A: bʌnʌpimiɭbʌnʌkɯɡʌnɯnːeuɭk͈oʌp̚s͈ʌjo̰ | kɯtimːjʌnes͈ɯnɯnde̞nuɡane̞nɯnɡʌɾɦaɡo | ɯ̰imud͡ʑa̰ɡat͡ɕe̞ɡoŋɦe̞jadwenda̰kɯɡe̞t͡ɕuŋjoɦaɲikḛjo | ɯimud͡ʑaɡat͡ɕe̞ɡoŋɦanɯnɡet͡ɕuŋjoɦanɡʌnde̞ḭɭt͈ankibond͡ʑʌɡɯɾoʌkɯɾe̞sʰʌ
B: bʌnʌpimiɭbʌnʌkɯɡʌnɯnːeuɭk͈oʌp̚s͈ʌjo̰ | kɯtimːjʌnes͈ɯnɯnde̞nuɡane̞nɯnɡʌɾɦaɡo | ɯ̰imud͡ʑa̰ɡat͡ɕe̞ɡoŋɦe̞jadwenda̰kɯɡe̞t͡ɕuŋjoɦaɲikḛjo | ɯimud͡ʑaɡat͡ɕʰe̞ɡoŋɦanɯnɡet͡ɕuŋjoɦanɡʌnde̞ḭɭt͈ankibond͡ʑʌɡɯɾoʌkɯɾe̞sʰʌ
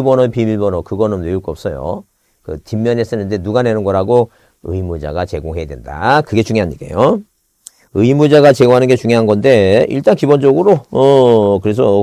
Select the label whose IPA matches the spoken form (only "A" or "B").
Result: A